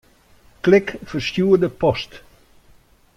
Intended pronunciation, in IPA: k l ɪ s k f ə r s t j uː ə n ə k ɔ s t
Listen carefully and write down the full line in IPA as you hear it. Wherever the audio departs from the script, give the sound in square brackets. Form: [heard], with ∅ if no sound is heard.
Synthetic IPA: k l ɪ [∅] k f ə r s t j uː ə [d] ə [p] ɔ s t